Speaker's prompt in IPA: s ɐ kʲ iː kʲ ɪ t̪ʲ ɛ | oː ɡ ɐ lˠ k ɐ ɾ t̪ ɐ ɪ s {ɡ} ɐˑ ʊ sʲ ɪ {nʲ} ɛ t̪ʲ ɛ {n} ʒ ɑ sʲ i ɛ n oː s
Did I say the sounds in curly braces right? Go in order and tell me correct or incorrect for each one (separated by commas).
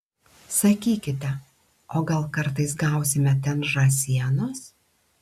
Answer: correct, incorrect, correct